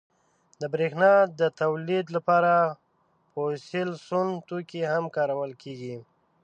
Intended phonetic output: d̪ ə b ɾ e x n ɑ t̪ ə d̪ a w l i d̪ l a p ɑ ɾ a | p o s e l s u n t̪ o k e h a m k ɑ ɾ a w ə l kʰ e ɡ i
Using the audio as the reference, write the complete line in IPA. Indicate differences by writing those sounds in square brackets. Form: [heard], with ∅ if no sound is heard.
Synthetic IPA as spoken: d̪ ə b ɾ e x n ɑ [d̪] ə [t̪] a w l i d̪ l a p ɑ ɾ a | p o s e l s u n t̪ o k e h a m k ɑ ɾ a w ə l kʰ e ɡ i

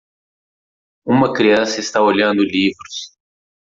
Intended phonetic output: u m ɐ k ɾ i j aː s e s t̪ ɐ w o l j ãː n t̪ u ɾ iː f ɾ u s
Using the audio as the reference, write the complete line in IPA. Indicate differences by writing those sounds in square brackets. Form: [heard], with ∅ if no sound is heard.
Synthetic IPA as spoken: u m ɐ k ɾ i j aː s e s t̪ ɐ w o l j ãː n [d̪] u [l] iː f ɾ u s

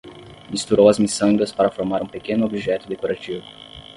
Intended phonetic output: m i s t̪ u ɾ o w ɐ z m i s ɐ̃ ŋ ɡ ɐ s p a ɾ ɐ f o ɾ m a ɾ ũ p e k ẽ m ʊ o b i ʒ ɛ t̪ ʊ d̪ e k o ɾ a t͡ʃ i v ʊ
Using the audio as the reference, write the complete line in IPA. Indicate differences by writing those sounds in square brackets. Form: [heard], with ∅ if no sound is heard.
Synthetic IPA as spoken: m i s t̪ u ɾ o w ɐ z m i s ɐ̃ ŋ ɡ ɐ s p a ɾ ɐ f o ɾ m a ɾ ũ p e k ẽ [n] ʊ o b i ʒ ɛ t̪ ʊ d̪ e k o ɾ a t͡ʃ i v ʊ

